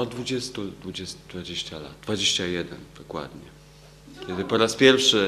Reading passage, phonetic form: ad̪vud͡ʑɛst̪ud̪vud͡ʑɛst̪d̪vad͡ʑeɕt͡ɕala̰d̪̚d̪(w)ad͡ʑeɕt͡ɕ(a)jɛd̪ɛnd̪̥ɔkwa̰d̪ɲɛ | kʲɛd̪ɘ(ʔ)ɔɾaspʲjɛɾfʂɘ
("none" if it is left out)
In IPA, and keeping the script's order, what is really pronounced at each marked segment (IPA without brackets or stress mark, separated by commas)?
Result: v, a, p